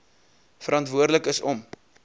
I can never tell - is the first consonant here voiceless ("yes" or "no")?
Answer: yes